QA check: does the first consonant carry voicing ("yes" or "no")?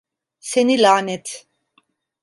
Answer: no